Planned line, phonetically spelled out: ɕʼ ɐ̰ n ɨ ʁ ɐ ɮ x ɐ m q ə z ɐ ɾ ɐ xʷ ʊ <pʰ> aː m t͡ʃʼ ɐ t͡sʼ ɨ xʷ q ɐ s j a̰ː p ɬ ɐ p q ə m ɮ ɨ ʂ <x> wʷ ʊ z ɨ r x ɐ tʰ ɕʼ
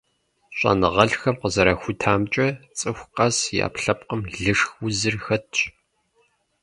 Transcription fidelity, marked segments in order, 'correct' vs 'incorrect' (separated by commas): incorrect, correct